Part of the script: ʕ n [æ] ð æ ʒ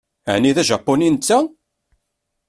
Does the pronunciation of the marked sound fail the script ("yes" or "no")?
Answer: yes